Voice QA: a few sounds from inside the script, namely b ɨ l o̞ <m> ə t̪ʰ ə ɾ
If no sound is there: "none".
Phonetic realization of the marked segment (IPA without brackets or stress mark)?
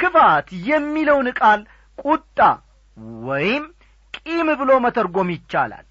m